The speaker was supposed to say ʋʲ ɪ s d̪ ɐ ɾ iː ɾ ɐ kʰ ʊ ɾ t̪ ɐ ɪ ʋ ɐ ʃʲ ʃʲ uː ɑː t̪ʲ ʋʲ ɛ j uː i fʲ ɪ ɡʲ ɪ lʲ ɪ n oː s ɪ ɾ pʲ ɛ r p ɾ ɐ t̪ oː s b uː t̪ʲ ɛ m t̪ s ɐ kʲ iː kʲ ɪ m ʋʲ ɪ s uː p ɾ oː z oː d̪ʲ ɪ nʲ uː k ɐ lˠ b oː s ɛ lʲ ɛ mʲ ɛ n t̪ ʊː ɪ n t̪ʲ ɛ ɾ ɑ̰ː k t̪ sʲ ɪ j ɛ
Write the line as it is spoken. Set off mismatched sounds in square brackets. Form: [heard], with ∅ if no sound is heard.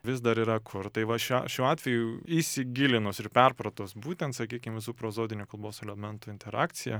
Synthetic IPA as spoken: ʋʲ ɪ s d̪ ɐ ɾ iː ɾ ɐ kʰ ʊ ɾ t̪ ɐ ɪ ʋ ɐ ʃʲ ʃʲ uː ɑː t̪ʲ ʋʲ ɛ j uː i [sʲ] ɪ ɡʲ ɪ lʲ ɪ n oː s ɪ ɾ pʲ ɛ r p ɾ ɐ t̪ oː s b uː t̪ʲ ɛ [n] t̪ s ɐ kʲ iː kʲ ɪ m ʋʲ ɪ s uː p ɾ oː z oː d̪ʲ ɪ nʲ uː k ɐ lˠ b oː s ɛ lʲ ɛ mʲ ɛ n t̪ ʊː ɪ n t̪ʲ ɛ ɾ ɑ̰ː k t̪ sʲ ɪ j ɛ